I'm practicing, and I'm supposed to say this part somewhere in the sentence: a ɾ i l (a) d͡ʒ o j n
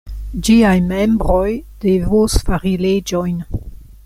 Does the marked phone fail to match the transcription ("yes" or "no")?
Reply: yes